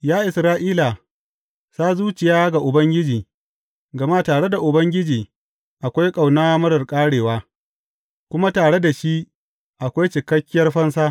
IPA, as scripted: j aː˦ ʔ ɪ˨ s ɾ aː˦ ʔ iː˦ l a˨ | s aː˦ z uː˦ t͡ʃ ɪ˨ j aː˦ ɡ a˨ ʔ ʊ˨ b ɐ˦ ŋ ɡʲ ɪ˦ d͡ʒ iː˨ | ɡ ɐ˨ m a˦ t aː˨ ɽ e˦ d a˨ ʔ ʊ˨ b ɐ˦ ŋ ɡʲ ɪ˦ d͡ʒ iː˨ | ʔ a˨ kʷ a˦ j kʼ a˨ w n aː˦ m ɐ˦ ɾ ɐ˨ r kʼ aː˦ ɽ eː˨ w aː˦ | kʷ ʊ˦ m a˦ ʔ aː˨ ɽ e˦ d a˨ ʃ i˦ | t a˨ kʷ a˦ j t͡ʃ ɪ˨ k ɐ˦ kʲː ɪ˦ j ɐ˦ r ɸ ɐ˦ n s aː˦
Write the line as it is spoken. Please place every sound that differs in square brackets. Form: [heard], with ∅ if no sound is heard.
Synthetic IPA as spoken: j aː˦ ʔ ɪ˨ s ɾ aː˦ ʔ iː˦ l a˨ | s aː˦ z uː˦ t͡ʃ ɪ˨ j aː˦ ɡ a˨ ʔ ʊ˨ b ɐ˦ ŋ ɡʲ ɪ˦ d͡ʒ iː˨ | ɡ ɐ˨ m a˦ t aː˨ ɽ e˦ d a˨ ʔ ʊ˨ b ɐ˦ ŋ ɡʲ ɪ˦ d͡ʒ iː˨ | ʔ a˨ kʷ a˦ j kʼ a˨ w n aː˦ m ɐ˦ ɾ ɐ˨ r kʼ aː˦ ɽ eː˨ w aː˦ | kʷ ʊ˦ m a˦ [t] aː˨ ɽ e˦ d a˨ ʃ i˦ | [ʔ] a˨ kʷ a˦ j t͡ʃ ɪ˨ k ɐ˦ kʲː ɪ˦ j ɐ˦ r ɸ ɐ˦ n s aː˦

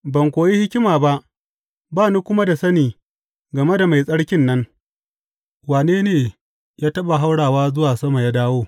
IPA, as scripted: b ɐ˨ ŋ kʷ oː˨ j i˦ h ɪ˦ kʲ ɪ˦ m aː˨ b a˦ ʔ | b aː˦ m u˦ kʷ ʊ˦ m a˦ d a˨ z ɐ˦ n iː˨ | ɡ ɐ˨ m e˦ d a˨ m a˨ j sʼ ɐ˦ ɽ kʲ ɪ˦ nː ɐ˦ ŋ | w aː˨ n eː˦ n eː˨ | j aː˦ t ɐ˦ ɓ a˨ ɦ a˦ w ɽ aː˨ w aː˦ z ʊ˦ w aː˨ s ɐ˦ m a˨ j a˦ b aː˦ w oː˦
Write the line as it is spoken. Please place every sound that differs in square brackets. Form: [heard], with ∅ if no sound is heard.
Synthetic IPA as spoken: b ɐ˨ ŋ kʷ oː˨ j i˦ h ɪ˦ kʲ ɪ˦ m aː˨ b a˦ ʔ | b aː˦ [n] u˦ kʷ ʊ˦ m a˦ d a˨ [s] ɐ˦ n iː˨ | ɡ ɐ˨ m e˦ d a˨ m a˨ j sʼ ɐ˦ ɽ kʲ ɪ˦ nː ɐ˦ ŋ | w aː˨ n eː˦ n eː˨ | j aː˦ t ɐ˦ ɓ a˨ ɦ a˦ w ɽ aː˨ w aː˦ z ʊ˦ w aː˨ s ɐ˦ m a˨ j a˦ [d] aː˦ w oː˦

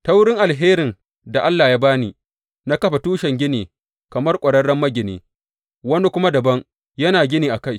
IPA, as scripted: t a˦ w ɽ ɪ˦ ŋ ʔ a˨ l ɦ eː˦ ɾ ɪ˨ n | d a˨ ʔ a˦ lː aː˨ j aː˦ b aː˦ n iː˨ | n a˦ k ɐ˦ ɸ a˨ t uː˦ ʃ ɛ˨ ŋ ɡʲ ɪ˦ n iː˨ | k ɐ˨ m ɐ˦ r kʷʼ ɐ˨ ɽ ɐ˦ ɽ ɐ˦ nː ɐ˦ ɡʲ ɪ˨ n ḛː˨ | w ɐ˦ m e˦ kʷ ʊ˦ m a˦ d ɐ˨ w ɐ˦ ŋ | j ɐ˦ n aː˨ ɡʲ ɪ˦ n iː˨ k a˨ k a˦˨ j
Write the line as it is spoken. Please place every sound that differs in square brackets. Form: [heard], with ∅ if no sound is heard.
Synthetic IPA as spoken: t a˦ w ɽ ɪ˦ ŋ ʔ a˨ l ɦ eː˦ ɾ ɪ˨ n | d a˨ ʔ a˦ lː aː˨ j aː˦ b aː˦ n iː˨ | n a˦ k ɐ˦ ɸ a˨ t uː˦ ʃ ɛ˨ ŋ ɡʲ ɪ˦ n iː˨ | k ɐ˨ m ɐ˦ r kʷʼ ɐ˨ ɽ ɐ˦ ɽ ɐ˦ [mː] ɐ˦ ɡʲ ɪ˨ n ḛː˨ | w ɐ˦ [n] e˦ kʷ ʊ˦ m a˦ d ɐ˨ [b] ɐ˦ ŋ | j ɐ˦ n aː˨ ɡʲ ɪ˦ n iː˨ [ʔ] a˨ k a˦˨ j

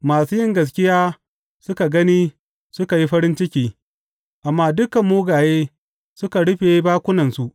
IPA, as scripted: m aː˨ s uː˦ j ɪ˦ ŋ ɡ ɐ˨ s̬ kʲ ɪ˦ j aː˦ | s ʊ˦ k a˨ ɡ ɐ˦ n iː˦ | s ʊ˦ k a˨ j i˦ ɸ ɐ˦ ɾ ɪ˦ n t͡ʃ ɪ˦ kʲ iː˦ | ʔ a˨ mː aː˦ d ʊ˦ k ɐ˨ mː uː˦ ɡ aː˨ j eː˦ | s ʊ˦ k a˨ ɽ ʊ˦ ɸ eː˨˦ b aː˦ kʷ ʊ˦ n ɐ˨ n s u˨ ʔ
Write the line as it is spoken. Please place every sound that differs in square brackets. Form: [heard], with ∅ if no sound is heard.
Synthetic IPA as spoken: m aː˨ s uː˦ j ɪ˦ ŋ ɡ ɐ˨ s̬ kʲ ɪ˦ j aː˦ | s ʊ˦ k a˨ ɡ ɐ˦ n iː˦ | s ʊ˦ k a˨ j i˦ ɸ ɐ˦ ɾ ɪ˦ n t͡ʃ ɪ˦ kʲ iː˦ | ʔ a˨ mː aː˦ d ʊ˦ k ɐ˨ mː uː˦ ɡ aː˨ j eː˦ | s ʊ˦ k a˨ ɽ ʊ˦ ɸ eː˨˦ b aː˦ kʷ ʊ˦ n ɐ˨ n s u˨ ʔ

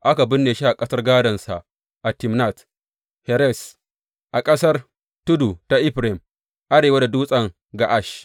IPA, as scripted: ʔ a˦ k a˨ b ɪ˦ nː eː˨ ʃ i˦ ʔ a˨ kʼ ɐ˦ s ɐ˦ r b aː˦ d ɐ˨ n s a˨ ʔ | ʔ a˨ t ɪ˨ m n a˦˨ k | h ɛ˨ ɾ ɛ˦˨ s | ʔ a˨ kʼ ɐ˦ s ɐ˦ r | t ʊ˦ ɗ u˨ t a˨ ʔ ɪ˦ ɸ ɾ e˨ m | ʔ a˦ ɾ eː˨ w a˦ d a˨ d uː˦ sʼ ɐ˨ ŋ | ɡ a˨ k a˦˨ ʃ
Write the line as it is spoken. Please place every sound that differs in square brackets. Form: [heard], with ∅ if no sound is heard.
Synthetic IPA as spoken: ʔ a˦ k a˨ b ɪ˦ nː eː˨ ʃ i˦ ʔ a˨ kʼ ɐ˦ s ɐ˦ r [ɡ] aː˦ d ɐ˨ n s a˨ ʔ | ʔ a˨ t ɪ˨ m n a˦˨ [t] | h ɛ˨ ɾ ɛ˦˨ s | ʔ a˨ kʼ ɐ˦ s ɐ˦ r | t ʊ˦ [d] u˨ t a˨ ʔ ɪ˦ ɸ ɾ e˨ m | ʔ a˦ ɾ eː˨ w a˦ d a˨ d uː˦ sʼ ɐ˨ ŋ | ɡ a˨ [ʔ] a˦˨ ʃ

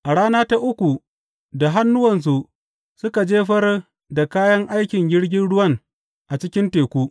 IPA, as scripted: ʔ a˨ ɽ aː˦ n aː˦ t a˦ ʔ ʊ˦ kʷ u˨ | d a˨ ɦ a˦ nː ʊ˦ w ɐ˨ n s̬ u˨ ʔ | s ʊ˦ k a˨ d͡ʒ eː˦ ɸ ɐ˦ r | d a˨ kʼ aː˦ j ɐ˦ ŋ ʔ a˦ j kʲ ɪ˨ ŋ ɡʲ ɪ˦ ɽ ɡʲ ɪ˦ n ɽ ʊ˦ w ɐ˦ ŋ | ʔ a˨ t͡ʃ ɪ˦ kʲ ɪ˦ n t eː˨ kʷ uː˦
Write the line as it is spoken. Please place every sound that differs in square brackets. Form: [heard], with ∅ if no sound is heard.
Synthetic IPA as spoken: ʔ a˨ ɽ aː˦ n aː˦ t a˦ ʔ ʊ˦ kʷ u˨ | d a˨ ɦ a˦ nː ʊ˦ w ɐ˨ n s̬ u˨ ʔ | s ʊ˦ k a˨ d͡ʒ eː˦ ɸ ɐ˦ r | d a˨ [k] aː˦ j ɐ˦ ŋ ʔ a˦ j kʲ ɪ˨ ŋ ɡʲ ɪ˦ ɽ ɡʲ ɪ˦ n ɽ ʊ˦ w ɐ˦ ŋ | ʔ a˨ t͡ʃ ɪ˦ kʲ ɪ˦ n t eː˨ kʷ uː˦

